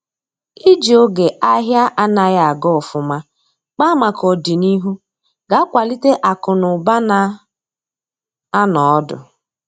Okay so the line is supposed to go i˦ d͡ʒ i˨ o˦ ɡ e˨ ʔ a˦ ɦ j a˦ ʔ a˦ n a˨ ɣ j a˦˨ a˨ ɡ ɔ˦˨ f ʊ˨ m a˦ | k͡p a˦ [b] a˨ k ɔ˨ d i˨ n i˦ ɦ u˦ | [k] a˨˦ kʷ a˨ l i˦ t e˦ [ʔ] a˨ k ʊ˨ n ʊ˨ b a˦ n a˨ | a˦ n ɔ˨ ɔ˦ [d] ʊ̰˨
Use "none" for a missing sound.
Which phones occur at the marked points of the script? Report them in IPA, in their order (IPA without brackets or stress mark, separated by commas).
m, ɡ, ʔ, d